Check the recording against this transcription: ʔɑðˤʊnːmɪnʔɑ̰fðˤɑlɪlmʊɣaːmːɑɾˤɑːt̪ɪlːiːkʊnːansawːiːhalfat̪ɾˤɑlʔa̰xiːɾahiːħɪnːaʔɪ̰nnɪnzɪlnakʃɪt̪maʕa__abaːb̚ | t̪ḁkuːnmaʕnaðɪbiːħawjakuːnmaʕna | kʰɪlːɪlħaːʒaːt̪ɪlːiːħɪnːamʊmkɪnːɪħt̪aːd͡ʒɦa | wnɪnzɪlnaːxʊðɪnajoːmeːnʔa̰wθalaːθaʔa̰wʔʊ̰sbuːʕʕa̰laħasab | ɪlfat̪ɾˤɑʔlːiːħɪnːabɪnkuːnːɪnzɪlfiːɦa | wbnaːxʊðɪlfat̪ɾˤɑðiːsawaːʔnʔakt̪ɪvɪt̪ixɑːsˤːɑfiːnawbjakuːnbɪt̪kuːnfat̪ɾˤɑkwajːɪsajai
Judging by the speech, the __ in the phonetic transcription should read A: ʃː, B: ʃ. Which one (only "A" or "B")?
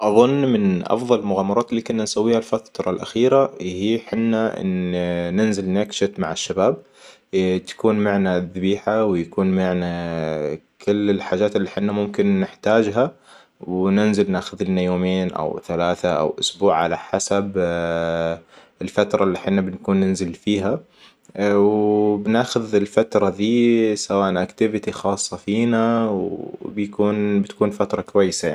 A